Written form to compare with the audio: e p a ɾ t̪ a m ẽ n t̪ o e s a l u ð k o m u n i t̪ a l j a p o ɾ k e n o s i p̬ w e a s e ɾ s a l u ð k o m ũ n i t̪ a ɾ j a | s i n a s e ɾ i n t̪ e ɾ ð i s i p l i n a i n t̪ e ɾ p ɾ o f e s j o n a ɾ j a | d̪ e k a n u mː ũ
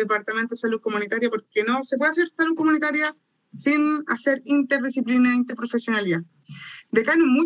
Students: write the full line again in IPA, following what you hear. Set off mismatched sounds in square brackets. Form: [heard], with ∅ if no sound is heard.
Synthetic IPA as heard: e p a ɾ t̪ a m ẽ n t̪ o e s a l u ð k o m u n i t̪ a [ɾ] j a p o ɾ k e n o s [e] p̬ w e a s e ɾ s a l u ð k o m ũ n i t̪ a ɾ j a | s i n a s e ɾ i n t̪ e ɾ ð i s i p l i n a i n t̪ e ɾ p ɾ o f e s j o n a [l] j a | d̪ e k a n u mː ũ